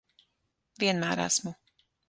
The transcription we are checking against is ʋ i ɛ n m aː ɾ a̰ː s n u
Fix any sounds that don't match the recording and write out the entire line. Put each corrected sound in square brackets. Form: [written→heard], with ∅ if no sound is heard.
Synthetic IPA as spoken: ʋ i ɛ n m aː ɾ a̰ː s [n→m] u